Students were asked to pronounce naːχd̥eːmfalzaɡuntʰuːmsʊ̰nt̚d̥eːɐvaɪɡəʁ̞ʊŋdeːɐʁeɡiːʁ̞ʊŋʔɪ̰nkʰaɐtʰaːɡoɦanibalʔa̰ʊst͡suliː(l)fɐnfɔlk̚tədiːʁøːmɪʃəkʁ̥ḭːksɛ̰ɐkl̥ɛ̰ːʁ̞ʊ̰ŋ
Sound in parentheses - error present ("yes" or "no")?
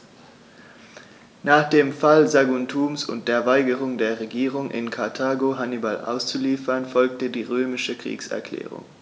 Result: yes